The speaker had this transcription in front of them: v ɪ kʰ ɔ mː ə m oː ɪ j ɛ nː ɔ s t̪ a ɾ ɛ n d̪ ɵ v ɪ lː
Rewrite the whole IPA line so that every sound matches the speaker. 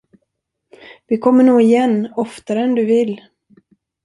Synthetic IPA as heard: v ɪ kʰ ɔ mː ə ɳ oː ɪ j ɛ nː ɔ f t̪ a ɾ ɛ n d̪ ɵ v ɪ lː